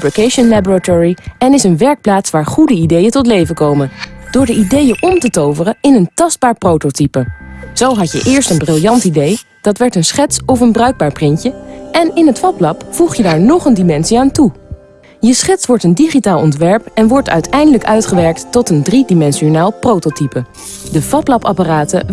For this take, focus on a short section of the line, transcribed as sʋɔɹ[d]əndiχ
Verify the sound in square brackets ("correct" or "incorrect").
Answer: incorrect